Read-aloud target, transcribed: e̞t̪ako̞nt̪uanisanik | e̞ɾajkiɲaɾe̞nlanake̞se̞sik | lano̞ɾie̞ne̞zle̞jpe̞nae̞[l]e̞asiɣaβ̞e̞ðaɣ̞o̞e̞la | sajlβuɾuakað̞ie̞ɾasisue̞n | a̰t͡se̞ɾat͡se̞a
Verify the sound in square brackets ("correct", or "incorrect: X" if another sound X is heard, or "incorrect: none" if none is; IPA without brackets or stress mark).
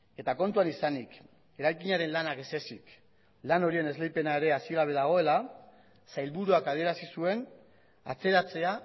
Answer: incorrect: ɾ